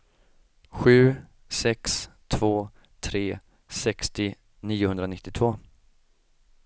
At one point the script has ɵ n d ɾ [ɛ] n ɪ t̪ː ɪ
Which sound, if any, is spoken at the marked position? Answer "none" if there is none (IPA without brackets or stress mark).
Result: a